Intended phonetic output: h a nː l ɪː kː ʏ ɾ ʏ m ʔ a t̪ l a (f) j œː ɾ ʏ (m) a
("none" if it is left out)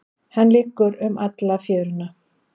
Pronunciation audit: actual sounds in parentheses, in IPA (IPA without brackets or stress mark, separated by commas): f, n